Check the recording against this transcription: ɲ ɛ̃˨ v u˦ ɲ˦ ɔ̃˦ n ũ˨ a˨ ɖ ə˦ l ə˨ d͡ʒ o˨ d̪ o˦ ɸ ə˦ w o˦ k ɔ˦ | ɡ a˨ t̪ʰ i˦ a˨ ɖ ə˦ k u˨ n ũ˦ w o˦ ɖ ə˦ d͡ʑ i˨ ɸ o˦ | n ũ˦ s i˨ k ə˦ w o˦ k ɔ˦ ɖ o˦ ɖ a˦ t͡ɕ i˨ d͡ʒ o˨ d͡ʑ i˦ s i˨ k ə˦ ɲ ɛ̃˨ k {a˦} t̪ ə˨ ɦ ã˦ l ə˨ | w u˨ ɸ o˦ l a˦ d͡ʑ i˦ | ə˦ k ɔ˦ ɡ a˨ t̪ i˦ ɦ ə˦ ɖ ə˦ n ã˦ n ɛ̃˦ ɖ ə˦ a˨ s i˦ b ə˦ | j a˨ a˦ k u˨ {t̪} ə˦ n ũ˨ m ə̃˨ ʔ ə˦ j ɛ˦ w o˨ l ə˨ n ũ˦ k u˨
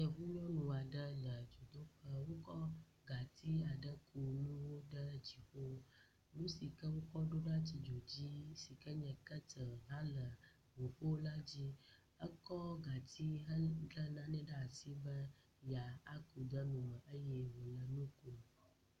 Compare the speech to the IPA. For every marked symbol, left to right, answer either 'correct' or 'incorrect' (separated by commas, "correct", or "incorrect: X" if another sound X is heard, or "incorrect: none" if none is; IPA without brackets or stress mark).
incorrect: ə˦, incorrect: d̪